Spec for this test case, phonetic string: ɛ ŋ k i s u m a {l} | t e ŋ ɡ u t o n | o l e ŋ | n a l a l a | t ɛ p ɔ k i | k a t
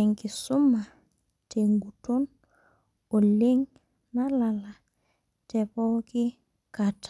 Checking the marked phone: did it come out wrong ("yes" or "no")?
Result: yes